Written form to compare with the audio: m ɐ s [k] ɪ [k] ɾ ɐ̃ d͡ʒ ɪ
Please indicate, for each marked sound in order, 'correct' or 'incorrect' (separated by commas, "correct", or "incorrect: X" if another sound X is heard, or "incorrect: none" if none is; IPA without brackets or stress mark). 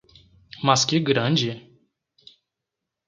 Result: correct, incorrect: ɡ